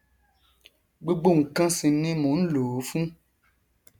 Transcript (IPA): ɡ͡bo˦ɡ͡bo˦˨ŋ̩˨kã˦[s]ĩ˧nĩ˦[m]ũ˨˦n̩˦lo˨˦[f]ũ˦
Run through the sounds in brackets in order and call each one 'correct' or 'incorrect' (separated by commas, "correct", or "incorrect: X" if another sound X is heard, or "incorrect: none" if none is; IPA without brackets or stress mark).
correct, correct, correct